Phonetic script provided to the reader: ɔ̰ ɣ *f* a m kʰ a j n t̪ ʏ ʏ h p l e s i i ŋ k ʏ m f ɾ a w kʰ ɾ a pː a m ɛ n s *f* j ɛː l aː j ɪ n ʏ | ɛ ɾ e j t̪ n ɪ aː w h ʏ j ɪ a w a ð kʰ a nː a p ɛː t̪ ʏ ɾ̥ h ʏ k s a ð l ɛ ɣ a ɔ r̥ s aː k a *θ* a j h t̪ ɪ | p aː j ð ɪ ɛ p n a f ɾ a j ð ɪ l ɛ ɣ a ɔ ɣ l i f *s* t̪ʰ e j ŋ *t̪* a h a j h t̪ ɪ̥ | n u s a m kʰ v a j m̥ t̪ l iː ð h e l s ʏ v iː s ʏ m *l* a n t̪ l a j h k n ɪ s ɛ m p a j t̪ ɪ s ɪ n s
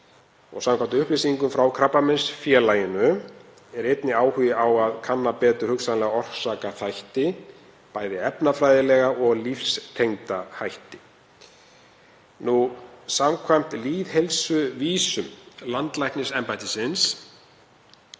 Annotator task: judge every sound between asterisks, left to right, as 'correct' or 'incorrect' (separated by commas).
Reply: incorrect, correct, correct, correct, correct, correct